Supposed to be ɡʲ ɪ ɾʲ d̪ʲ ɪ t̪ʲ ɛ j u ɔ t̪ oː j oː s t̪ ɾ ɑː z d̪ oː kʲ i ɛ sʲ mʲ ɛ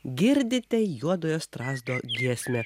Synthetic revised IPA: ɡʲ ɪ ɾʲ d̪ʲ ɪ t̪ʲ ɛ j u ɔ d̪ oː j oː s t̪ ɾ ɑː z d̪ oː ɡʲ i ɛ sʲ mʲ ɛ